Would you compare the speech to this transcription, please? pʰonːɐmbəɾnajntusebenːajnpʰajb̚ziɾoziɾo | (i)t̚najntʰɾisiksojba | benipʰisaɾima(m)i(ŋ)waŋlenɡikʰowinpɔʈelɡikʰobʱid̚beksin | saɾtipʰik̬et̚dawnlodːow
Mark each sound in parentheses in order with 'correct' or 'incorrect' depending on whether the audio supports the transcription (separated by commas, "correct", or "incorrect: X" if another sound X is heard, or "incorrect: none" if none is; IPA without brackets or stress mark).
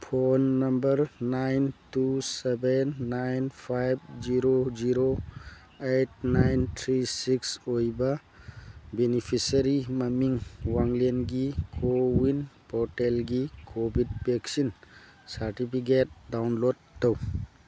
incorrect: e, correct, correct